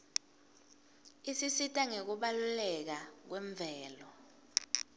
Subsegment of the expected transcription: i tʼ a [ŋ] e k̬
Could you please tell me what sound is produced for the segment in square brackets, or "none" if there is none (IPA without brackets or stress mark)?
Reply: ŋ